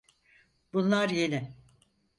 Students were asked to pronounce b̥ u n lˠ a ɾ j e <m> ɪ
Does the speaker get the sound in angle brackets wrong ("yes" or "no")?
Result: yes